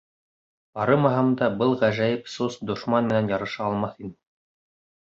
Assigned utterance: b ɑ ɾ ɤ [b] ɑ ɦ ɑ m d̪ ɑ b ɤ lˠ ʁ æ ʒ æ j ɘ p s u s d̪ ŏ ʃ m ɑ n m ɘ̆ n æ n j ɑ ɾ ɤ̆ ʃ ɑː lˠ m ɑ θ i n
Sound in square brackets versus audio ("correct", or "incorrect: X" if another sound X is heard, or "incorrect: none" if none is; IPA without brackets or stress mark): incorrect: m